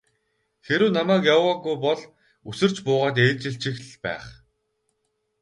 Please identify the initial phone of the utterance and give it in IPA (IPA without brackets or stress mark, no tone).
x